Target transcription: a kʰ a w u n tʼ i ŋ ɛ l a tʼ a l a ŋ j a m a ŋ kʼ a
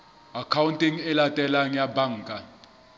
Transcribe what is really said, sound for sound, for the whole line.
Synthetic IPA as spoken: a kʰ a w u n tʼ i ŋ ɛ l a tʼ ɛ l a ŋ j a b a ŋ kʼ a